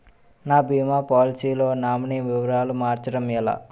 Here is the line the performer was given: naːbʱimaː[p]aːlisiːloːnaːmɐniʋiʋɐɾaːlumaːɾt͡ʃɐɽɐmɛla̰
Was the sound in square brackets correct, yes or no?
yes